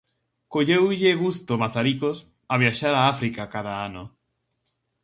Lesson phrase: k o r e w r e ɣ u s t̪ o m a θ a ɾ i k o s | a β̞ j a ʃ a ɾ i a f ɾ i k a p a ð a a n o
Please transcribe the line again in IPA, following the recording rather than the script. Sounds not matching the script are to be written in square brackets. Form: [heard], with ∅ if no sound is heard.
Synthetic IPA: k o [ʎ] e w [ʎ] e ɣ u s t̪ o m a θ a ɾ i k o s | a β̞ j a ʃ a ɾ [a] a f ɾ i k a [k] a ð a a n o